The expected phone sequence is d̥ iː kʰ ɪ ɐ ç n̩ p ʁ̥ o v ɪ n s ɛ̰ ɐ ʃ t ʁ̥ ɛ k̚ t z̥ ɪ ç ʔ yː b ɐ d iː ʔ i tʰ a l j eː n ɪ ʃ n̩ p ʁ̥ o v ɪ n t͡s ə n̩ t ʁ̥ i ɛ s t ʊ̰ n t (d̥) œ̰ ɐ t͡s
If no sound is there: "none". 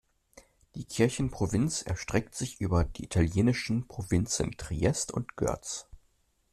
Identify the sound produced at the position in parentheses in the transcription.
ɡ̥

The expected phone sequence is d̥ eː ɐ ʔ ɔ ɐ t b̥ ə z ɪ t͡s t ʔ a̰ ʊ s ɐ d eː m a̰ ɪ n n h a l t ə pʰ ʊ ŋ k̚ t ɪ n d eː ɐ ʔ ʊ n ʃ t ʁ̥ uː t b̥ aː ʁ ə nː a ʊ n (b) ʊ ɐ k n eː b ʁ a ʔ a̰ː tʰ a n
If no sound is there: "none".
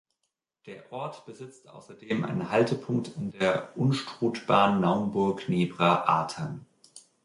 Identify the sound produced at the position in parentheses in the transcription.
b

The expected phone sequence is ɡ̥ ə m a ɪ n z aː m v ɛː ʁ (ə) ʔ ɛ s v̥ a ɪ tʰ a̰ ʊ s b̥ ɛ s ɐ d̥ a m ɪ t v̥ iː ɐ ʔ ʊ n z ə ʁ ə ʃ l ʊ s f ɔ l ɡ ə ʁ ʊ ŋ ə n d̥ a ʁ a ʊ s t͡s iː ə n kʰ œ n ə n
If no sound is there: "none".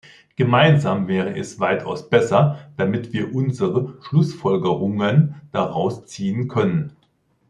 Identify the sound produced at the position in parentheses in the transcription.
ə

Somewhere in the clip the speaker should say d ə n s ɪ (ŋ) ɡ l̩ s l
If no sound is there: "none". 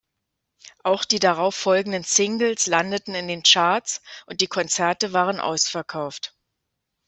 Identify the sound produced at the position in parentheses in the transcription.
ŋ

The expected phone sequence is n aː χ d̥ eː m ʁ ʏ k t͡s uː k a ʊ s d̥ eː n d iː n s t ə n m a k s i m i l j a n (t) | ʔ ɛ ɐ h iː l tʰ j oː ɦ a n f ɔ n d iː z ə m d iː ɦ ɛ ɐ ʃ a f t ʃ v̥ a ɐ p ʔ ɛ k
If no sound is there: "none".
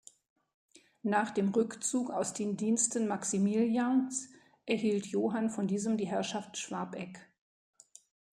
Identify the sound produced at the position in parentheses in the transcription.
s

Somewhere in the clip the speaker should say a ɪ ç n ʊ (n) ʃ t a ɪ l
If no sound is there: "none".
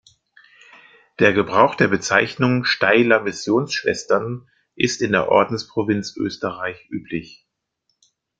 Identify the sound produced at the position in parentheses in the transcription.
ŋ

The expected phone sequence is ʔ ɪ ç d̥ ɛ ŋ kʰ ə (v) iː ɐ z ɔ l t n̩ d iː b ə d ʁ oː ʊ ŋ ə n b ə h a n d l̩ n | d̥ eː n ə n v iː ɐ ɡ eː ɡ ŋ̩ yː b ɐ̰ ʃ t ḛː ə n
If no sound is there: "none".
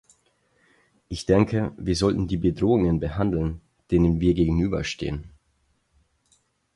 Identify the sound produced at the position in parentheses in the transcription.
v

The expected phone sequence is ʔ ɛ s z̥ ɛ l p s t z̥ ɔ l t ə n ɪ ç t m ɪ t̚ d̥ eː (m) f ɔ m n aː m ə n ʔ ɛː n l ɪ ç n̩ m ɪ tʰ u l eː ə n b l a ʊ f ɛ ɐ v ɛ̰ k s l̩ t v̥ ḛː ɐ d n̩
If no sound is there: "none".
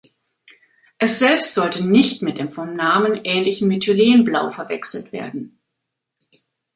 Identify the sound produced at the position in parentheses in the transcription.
m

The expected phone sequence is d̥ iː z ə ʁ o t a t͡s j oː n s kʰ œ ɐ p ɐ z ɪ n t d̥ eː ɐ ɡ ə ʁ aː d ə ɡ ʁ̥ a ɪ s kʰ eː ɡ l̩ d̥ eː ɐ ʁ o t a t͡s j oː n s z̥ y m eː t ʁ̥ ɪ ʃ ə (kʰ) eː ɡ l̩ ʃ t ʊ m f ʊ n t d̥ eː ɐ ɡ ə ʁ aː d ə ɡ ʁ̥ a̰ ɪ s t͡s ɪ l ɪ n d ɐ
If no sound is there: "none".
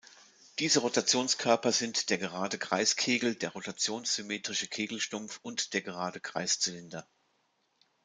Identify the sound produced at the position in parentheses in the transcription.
kʰ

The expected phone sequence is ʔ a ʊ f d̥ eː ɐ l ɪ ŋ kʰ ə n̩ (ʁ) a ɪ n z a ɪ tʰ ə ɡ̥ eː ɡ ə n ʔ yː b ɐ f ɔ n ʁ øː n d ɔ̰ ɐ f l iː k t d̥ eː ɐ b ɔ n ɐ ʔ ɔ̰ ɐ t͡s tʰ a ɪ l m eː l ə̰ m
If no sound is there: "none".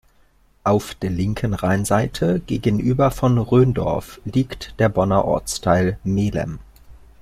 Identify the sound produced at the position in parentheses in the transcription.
ʁ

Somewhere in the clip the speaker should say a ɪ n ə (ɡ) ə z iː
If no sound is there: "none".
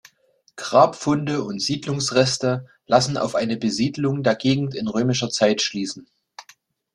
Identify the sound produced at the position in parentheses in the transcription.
b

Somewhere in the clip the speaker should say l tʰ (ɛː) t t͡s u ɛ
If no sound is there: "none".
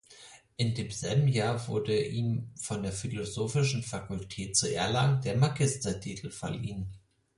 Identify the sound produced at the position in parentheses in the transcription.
ɛː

